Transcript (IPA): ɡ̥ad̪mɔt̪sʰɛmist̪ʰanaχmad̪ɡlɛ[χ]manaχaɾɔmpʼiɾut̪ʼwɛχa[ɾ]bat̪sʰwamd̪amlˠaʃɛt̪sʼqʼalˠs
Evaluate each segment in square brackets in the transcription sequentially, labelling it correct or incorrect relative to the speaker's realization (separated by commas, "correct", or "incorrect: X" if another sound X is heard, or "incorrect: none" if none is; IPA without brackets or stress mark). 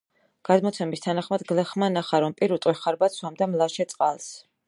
correct, correct